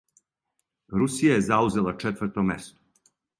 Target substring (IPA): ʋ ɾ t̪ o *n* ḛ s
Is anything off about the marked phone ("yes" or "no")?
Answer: yes